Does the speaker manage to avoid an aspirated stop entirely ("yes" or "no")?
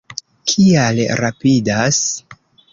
no